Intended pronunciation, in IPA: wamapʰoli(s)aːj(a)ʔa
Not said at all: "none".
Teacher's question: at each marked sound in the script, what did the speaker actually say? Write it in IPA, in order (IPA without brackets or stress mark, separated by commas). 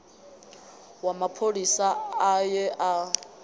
s, ɛ